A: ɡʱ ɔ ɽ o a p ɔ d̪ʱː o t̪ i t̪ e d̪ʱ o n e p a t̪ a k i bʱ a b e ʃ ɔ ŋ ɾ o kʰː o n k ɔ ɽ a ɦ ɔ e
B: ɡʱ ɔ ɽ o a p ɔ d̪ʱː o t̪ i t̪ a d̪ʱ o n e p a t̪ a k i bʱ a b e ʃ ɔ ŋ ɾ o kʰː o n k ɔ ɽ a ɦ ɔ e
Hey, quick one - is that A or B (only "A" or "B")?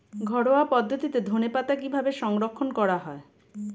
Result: A